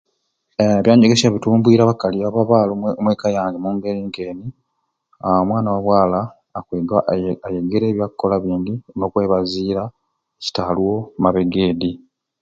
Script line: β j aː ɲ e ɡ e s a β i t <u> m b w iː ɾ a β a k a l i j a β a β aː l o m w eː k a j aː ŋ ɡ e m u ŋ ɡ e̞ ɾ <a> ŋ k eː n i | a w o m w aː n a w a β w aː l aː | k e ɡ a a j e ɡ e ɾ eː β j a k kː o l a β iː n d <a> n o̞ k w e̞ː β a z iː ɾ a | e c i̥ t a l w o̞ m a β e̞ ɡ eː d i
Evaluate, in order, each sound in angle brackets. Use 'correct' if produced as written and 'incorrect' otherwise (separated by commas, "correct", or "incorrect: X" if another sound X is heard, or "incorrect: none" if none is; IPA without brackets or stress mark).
incorrect: uː, incorrect: i, incorrect: i